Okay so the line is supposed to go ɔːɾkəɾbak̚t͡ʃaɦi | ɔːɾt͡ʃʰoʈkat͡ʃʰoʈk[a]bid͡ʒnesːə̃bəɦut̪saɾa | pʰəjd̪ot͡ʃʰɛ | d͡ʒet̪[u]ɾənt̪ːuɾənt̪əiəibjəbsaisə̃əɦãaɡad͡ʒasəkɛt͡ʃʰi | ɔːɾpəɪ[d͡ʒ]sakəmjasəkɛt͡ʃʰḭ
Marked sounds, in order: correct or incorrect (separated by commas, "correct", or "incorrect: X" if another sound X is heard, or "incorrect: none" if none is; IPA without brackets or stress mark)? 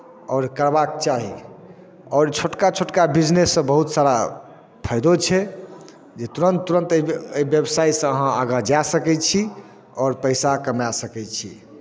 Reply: correct, correct, incorrect: none